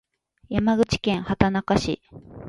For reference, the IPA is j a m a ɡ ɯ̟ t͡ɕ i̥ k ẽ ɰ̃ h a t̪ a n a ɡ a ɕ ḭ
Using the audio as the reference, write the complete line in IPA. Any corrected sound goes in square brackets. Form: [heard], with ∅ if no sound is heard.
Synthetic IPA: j a m a ɡ ɯ̟ t͡ɕ i̥ k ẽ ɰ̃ h a t̪ a n a [k] a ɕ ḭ